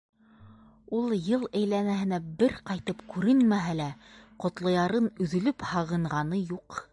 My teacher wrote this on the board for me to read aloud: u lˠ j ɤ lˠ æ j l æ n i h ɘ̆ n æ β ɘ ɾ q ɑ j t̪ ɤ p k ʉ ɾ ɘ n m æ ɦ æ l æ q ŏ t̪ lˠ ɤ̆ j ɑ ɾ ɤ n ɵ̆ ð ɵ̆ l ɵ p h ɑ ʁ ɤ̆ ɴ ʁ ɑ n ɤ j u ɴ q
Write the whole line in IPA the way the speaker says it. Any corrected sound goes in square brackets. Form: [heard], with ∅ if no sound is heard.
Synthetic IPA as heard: u lˠ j ɤ lˠ æ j l æ n [æ] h ɘ̆ n æ [b] ɘ ɾ q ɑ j t̪ ɤ p k ʉ ɾ ɘ n m æ ɦ æ l æ q ŏ t̪ lˠ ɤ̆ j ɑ ɾ ɤ n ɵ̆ ð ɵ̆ l ɵ p h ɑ ʁ ɤ̆ ɴ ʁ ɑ n ɤ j u [∅] q